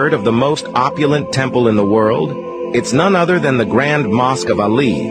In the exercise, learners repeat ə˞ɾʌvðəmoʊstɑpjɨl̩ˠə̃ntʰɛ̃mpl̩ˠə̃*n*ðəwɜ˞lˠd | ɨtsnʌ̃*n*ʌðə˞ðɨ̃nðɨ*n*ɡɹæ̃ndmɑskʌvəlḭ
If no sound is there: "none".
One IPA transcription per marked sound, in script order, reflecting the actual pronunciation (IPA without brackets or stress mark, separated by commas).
n, n, none